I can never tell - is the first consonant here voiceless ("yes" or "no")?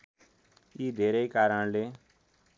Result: no